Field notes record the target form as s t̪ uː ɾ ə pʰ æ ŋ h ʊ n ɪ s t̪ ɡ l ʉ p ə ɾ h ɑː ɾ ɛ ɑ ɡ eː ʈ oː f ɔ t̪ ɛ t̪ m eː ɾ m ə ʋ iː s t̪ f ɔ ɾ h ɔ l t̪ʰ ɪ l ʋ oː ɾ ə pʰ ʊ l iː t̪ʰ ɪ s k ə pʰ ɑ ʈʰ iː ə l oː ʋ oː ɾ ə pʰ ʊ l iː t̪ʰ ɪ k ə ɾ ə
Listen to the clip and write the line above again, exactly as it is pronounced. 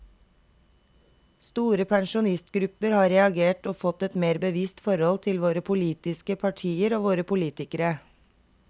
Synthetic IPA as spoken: s t̪ uː ɾ ə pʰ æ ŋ ʃ ʊ n ɪ s t̪ ɡ ɾ ʉ p ə ɾ h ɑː ɾ ɛ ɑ ɡ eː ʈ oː f ɔ t̪ ɛ t̪ m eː ɾ b ə ʋ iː s t̪ f ɔ ɾ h ɔ l t̪ʰ ɪ l ʋ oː ɾ ə pʰ ʊ l iː t̪ ɪ s k ə pʰ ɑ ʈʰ iː ə ɾ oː ʋ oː ɾ ə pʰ ʊ l iː t̪ ɪ k ə ɾ ə